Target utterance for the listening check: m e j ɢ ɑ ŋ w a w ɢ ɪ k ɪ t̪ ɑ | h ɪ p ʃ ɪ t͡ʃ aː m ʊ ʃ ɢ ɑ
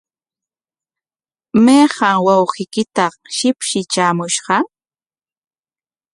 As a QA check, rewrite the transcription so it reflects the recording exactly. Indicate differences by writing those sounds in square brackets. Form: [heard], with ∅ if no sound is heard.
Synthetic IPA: m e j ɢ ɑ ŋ w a w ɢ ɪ k ɪ t̪ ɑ | [ʃ] ɪ p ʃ ɪ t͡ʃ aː m ʊ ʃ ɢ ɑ